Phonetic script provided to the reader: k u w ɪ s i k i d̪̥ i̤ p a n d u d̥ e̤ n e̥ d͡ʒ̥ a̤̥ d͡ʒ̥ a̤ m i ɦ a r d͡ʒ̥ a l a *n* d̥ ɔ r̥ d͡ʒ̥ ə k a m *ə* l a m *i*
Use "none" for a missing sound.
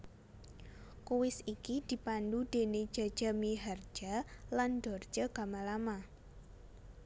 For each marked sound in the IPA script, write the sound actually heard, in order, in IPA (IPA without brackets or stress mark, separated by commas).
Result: n, a, a